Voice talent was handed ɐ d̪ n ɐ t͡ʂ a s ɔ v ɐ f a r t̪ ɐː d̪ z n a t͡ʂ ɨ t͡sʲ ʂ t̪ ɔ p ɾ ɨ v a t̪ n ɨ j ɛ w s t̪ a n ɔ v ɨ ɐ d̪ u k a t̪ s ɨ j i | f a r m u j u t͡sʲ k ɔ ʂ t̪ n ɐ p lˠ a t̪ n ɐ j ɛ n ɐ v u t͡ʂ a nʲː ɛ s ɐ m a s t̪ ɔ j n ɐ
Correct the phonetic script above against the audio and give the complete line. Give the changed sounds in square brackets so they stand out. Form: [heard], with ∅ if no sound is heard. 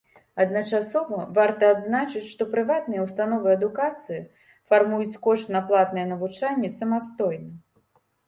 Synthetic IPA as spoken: ɐ d̪ n ɐ t͡ʂ a s ɔ v ɐ [v] a r t̪ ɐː d̪ z n a t͡ʂ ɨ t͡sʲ ʂ t̪ ɔ p ɾ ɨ v a t̪ n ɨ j ɛ w s t̪ a n ɔ v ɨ ɐ d̪ u k a t̪ s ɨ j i | f a r m u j u t͡sʲ k ɔ ʂ t̪ n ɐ p lˠ a t̪ n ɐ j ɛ n ɐ v u t͡ʂ a nʲː ɛ s ɐ m a s t̪ ɔ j n ɐ